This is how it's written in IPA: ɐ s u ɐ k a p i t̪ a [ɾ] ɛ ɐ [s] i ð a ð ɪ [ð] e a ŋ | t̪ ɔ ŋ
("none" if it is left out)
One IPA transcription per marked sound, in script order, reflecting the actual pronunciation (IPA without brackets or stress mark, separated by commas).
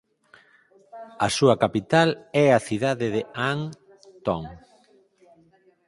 l, θ, ð